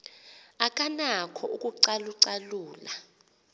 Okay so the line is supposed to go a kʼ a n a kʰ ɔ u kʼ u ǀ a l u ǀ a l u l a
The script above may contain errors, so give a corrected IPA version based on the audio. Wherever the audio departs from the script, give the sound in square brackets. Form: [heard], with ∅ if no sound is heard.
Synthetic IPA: a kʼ a n a kʰ ɔ u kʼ u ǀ a l u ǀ a l [uː] l a